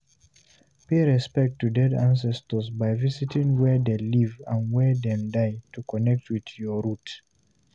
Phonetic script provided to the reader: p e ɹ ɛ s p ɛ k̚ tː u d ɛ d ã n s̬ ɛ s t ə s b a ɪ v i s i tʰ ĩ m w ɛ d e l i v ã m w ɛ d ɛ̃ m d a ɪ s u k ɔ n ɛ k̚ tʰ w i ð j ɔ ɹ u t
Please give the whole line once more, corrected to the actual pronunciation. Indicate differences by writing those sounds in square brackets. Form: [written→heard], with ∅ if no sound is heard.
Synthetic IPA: p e ɹ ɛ s p ɛ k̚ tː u d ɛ d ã n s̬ ɛ s t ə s b a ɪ v i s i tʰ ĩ [m→ŋ] w ɛ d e l i v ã [m→n] w ɛ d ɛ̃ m d a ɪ [s→t] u k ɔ n ɛ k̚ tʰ w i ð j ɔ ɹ u t